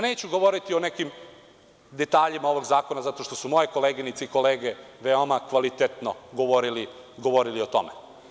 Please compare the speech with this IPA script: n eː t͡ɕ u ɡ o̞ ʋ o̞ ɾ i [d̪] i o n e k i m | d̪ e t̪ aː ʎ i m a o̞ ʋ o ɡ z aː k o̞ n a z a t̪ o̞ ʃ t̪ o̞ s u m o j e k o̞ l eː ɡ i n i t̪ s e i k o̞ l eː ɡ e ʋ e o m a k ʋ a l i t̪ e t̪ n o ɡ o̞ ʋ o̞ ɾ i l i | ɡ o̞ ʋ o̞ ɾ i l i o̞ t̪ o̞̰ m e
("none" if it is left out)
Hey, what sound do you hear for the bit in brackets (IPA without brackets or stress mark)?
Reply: t̪